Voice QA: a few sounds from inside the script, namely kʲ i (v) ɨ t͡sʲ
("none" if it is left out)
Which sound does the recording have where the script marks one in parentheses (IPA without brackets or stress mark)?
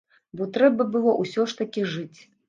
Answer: ʐ